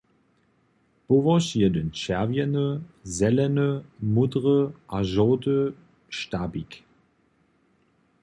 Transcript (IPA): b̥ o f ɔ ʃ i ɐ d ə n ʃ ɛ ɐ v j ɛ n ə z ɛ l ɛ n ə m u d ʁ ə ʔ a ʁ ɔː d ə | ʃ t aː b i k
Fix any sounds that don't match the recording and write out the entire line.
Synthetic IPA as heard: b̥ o v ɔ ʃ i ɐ d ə n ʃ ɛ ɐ v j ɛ n ə z ɛ l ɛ n ə m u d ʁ ə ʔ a ʒ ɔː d ə | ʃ t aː b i k